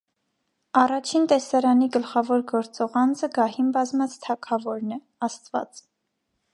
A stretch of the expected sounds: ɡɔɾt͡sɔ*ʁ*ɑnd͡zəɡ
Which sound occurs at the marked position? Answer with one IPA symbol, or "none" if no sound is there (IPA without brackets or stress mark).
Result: ʁ